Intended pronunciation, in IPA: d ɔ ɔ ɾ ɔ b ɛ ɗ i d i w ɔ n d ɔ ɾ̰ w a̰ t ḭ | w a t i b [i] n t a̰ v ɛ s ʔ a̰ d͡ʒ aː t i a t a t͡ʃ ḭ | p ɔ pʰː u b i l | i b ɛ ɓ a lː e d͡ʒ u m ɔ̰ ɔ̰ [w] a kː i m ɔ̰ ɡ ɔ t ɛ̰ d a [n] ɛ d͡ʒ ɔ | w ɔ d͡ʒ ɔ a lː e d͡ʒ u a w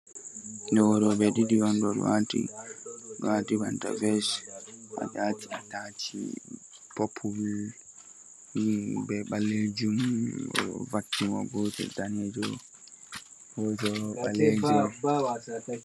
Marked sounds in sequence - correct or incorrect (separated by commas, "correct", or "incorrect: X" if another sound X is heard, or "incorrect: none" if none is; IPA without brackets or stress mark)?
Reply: incorrect: a, incorrect: v, correct